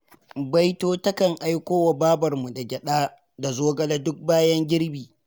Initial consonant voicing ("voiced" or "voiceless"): voiced